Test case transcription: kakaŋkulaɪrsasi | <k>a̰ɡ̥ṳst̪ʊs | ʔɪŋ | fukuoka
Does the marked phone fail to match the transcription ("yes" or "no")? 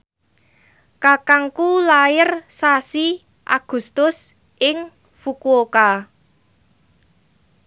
yes